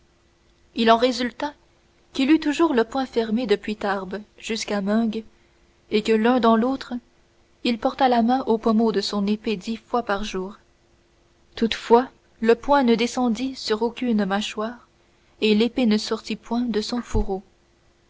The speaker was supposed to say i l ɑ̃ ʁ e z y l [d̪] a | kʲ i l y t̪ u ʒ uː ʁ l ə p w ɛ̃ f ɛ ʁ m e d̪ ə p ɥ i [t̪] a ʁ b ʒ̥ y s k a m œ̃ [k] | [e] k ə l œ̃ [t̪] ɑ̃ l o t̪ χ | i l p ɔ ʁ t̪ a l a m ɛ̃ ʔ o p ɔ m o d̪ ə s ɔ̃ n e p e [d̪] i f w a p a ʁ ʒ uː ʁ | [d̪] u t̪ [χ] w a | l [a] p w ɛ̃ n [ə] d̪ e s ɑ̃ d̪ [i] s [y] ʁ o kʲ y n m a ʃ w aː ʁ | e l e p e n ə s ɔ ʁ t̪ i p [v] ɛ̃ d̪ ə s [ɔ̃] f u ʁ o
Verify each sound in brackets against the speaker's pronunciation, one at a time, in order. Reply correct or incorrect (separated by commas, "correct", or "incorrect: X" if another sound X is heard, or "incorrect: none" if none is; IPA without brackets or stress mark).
incorrect: t̪, correct, incorrect: ɡ, correct, incorrect: d̪, correct, incorrect: t̪, incorrect: f, incorrect: ə, correct, correct, correct, incorrect: w, correct